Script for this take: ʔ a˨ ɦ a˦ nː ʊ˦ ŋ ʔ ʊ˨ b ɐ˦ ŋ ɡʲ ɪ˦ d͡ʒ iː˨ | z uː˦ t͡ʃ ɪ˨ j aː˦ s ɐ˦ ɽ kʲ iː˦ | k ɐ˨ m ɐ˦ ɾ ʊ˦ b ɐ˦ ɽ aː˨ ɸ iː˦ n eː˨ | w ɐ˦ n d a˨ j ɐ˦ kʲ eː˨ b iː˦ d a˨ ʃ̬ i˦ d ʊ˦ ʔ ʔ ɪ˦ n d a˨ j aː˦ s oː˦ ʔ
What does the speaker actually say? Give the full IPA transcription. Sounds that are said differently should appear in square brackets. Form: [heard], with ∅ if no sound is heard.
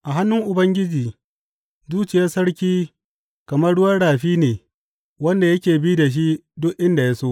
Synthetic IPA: ʔ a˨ ɦ a˦ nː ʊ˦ ŋ ʔ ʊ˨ b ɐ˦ ŋ ɡʲ ɪ˦ d͡ʒ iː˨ | z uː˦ t͡ʃ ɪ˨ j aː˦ s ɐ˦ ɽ kʲ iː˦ | k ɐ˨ m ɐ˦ [ɽ] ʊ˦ [w] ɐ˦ ɽ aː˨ ɸ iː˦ n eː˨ | w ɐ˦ n d a˨ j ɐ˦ kʲ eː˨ b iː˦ d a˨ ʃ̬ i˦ d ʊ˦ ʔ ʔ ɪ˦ n d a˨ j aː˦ s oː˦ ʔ